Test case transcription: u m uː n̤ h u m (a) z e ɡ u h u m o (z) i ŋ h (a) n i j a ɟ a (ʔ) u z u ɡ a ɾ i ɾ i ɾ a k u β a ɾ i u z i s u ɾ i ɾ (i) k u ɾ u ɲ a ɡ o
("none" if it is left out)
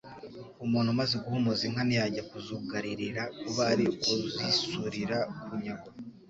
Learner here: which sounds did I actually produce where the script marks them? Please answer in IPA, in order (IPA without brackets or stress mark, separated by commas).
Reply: a, z, a, k, a